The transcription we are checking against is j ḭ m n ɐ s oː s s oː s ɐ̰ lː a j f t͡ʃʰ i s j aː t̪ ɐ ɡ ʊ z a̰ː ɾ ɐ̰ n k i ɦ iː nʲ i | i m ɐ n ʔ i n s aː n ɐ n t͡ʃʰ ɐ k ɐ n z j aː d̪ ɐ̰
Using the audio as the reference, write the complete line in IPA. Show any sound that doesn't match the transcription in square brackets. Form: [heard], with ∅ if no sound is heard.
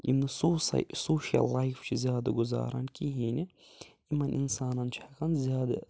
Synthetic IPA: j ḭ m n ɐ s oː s s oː [ʃ] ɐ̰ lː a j f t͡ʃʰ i [z] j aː [d̪] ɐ ɡ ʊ z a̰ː ɾ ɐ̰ n k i ɦ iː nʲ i | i m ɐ n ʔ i n s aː n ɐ n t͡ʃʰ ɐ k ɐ n z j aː d̪ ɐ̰